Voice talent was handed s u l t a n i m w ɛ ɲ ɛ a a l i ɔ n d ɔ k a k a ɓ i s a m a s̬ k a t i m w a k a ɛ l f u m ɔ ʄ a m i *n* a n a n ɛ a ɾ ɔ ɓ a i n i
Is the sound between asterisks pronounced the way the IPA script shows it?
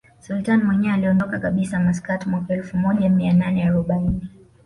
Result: no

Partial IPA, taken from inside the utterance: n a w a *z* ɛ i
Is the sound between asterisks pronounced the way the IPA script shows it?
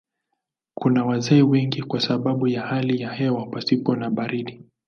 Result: yes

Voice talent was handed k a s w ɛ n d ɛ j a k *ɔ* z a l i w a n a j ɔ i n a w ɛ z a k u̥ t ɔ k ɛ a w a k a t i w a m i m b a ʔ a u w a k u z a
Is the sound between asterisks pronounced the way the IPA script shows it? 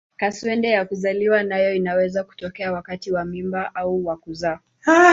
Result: no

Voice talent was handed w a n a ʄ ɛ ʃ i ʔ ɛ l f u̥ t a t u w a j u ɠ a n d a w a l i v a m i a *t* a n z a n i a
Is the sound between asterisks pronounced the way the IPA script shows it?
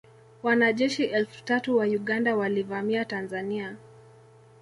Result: yes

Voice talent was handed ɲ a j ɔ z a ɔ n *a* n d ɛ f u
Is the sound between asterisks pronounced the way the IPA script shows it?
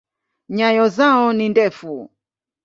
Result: no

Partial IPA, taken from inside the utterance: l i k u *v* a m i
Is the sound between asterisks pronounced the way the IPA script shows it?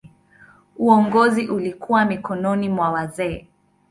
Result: no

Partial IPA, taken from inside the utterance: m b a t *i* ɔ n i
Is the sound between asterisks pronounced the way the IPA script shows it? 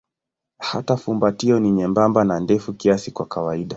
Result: yes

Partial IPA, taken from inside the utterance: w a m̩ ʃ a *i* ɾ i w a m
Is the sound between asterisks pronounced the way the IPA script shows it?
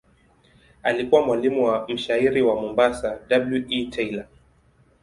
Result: yes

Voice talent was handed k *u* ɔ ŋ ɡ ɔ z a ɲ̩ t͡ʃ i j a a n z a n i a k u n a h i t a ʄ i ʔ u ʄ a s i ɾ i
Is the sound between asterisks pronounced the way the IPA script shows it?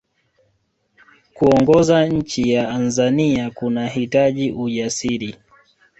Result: yes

